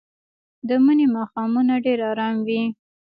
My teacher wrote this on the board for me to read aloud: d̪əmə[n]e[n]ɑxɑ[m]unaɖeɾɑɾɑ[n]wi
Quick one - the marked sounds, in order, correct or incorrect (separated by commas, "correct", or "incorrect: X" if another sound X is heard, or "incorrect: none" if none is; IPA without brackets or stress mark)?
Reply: correct, incorrect: m, correct, incorrect: m